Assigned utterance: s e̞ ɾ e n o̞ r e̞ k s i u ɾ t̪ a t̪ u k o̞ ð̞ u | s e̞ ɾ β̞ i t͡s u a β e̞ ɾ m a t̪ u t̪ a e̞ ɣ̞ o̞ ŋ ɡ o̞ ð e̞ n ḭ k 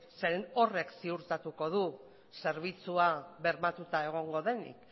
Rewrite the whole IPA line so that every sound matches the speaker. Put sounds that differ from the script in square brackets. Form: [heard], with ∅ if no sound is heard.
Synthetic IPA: s e̞ ɾ e n o̞ r e̞ k s i u ɾ t̪ a t̪ u k o̞ ð̞ u | s e̞ ɾ β̞ i t͡s u a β e̞ ɾ m a t̪ u t̪ a e̞ ɣ̞ o̞ ŋ ɡ o̞ ð e̞ n ḭ k

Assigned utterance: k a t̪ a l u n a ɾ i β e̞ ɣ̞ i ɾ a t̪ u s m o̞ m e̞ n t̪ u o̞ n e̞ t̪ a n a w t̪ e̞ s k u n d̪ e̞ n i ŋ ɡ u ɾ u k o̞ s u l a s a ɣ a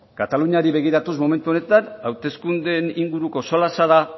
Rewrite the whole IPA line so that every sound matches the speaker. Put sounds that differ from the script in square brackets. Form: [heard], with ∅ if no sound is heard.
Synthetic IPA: k a t̪ a l u [ɲ] a ɾ i β e̞ ɣ̞ i ɾ a t̪ u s m o̞ m e̞ n t̪ u o̞ n e̞ t̪ a n a w t̪ e̞ s k u n d̪ e̞ n i ŋ ɡ u ɾ u k o̞ s [o] l a s a [ð] a

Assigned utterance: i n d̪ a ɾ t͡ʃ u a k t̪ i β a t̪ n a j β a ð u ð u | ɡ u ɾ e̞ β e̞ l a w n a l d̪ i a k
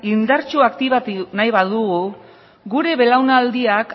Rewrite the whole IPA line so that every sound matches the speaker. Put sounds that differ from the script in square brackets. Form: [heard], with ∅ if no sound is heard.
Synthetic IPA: i n d̪ a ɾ t͡ʃ u a k t̪ i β a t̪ n a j β a ð u [ɣ] u | ɡ u ɾ e̞ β e̞ l a w n a l d̪ i a k

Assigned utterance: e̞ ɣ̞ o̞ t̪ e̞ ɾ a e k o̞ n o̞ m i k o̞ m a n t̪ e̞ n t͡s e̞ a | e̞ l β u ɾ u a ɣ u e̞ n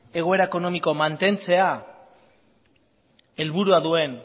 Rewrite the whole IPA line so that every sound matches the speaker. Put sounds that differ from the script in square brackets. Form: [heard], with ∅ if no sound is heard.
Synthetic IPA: e̞ ɣ̞ o̞ [∅] e̞ ɾ a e k o̞ n o̞ m i k o̞ m a n t̪ e̞ n t͡s e̞ a | e̞ l β u ɾ u a [ð] u e̞ n

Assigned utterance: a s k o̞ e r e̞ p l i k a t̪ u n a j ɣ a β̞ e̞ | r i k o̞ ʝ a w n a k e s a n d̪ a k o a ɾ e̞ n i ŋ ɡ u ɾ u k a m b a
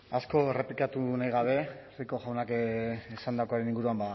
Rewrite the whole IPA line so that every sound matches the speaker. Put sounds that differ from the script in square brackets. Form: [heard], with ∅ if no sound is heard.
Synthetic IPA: a s k o̞ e r e̞ p l i k a t̪ u n a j ɣ a β̞ e̞ | r i k o̞ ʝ a w n a k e s a n d̪ a k o a ɾ e̞ n i ŋ ɡ u ɾ u [∅] a m b a

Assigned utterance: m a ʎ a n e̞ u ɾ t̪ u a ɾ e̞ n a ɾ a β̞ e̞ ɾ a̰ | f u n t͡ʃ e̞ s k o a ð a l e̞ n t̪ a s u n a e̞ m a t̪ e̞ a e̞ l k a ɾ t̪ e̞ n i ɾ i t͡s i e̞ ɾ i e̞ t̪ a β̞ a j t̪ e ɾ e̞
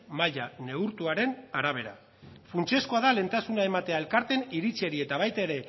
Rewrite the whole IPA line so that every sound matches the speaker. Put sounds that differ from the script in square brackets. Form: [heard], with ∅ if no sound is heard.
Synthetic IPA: m a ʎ a n e̞ u ɾ t̪ u a ɾ e̞ n a ɾ a β̞ e̞ ɾ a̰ | f u n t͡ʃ e̞ s k o a ð a l e̞ n t̪ a s u n a e̞ m a t̪ e̞ a e̞ l k a ɾ t̪ e̞ n i ɾ i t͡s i e̞ ɾ i e̞ t̪ a β̞ a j t̪ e ɾ e̞

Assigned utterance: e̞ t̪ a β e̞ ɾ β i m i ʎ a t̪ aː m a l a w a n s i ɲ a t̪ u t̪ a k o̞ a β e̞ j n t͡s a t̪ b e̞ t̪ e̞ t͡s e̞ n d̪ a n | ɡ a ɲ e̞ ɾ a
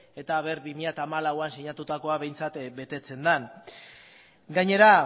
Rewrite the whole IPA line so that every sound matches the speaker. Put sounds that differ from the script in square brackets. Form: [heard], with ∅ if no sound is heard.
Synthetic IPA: e̞ t̪ a β e̞ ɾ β i m i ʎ a t̪ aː m a l a w a n s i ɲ a t̪ u t̪ a k o̞ a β e̞ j n t͡s a t̪ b e̞ t̪ e̞ t͡s e̞ n d̪ a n | ɡ a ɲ e̞ ɾ a

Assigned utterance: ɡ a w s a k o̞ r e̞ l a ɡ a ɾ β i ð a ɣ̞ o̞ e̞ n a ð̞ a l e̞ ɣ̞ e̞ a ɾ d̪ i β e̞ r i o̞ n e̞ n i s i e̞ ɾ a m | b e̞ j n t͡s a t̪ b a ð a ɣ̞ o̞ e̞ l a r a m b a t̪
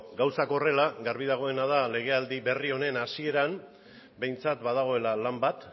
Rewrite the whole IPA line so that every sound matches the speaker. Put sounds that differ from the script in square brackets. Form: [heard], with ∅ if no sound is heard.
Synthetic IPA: ɡ a w s a k o̞ r e̞ l a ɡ a ɾ β i ð a ɣ̞ o̞ e̞ n a ð̞ a l e̞ ɣ̞ e̞ a [l] d̪ i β e̞ r i o̞ n e̞ n [a] s i e̞ ɾ a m | b e̞ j n t͡s a t̪ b a ð a ɣ̞ o̞ e̞ l a [l] a m b a t̪

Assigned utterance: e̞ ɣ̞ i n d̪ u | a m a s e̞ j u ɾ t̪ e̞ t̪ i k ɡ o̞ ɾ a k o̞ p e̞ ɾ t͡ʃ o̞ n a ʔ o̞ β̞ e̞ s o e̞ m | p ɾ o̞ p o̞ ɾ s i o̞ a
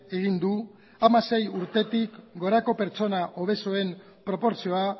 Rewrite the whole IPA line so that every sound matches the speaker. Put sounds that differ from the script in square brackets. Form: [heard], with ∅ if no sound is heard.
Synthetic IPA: e̞ ɣ̞ i n d̪ u | a m a s e̞ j u ɾ t̪ e̞ t̪ i k ɡ o̞ ɾ a k o̞ p e̞ ɾ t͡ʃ o̞ n a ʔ o̞ β̞ e̞ s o e̞ m | p ɾ o̞ p o̞ ɾ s i o̞ a

